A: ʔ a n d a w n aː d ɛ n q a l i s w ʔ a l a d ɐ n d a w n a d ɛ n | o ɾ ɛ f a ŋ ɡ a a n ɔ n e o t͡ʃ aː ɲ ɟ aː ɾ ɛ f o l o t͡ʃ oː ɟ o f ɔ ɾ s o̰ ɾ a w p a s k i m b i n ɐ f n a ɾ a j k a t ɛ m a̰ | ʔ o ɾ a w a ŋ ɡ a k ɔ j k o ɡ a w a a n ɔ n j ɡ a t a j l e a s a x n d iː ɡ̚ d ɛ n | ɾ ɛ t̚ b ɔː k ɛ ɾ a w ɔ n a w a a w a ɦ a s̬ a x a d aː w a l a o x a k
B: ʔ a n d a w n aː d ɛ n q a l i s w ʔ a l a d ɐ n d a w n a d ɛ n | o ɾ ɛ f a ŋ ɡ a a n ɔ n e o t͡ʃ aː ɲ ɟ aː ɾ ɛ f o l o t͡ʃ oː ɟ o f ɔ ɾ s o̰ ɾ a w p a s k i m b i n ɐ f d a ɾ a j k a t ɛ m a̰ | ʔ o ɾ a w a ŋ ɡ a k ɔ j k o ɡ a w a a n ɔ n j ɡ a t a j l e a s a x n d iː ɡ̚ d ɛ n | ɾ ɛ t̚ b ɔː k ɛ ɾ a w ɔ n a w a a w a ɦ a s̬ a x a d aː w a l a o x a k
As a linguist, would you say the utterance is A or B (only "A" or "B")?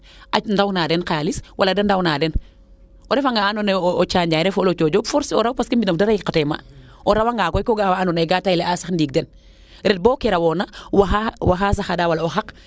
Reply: B